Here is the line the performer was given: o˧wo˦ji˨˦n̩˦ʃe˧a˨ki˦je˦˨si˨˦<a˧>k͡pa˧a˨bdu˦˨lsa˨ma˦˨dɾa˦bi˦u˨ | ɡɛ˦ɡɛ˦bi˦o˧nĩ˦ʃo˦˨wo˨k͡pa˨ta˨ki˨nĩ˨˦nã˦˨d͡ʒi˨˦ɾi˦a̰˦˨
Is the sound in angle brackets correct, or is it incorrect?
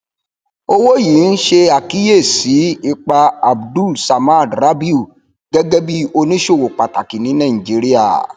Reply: incorrect